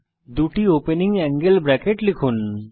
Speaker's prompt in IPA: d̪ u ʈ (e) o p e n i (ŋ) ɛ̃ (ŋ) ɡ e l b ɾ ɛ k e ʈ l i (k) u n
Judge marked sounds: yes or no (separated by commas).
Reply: no, yes, yes, no